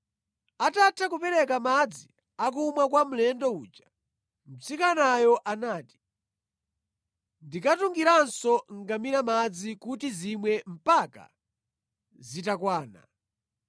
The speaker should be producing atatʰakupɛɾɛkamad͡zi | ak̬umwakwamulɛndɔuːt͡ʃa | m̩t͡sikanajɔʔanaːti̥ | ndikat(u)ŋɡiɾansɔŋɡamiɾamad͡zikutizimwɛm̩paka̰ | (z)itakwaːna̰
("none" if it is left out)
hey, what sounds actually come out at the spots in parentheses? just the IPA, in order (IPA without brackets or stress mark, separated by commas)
u, z